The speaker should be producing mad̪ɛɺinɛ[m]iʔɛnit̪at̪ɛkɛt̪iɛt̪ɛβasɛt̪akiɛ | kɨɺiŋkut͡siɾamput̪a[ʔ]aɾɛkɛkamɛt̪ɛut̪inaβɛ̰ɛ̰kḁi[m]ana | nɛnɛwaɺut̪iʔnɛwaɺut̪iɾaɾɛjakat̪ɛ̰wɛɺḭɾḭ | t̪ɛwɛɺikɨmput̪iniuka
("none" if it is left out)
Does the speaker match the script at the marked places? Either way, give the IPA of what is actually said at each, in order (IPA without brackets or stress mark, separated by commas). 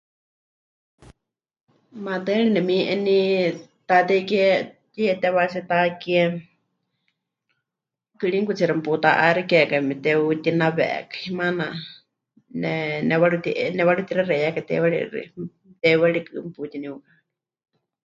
m, ʔ, m